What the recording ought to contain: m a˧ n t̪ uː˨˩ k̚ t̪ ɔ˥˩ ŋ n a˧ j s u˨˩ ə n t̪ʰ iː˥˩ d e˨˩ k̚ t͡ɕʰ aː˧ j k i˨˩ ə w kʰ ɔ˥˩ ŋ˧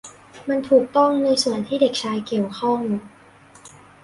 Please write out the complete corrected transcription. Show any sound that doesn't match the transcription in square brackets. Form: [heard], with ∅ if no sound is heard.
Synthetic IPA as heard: m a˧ n [t̪ʰ] uː˨˩ k̚ t̪ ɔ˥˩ ŋ n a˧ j s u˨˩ ə n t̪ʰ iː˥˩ d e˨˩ k̚ t͡ɕʰ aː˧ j k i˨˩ ə w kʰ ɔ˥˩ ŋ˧